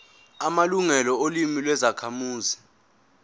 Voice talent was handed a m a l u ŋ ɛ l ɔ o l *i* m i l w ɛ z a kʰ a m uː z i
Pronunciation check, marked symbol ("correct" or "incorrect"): correct